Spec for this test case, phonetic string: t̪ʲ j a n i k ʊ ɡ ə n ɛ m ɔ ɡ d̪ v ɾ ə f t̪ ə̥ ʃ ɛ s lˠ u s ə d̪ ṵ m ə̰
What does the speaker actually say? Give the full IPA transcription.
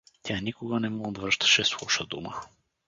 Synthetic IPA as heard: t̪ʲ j a n i k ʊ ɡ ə n ɛ m ɔ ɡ d̪ v ɾ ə ʃ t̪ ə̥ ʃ ɛ s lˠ u ʃ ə d̪ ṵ m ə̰